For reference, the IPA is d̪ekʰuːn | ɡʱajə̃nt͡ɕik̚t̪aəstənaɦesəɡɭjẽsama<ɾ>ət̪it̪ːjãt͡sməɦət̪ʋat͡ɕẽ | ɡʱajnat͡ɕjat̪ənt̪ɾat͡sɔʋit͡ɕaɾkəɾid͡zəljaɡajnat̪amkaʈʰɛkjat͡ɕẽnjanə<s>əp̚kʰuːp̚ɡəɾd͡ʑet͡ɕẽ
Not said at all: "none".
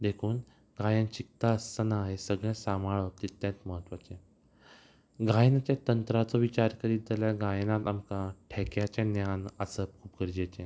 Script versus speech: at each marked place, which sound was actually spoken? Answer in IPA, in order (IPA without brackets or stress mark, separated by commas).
ɭ, s